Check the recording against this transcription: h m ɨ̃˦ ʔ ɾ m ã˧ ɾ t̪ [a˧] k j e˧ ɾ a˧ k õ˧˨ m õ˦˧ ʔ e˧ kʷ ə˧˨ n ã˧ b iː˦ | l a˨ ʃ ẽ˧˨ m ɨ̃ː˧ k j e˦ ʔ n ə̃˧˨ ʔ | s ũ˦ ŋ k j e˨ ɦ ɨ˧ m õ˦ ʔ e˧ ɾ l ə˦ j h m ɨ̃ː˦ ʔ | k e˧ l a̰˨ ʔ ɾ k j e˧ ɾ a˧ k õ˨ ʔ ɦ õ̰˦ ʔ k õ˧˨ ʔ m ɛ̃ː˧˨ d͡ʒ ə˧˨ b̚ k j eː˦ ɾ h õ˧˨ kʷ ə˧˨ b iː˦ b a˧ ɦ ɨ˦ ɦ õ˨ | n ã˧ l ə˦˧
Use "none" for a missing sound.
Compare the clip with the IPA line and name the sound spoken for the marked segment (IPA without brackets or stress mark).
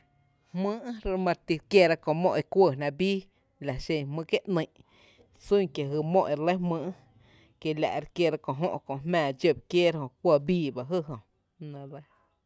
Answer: i˧